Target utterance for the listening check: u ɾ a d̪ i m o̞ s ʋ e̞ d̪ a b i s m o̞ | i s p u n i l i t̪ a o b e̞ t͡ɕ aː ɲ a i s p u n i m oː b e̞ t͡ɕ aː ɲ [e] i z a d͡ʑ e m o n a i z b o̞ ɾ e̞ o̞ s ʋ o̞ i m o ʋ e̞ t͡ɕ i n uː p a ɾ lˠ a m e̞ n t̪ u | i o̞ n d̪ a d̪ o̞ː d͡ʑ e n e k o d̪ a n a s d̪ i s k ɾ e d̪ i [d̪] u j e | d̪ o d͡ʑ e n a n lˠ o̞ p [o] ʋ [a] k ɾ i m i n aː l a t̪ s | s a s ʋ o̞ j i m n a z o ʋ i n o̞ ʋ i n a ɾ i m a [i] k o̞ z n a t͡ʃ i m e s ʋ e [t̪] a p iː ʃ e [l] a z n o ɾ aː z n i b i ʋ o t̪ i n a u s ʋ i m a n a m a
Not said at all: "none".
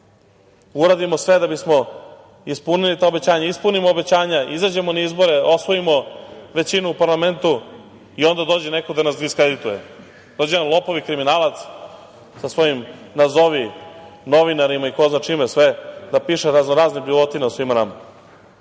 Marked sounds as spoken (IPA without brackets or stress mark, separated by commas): a, t̪, o, i, i, d̪, ɾ